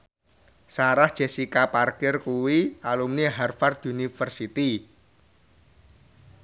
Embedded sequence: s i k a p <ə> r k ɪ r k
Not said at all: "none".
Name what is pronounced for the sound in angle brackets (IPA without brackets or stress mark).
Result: a